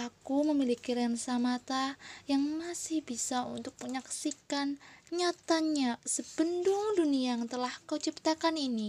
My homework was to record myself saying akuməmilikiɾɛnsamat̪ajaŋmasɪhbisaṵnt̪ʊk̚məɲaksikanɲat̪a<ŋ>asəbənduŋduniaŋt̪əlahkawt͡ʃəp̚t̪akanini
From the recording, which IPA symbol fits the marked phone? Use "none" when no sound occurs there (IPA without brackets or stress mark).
ɲ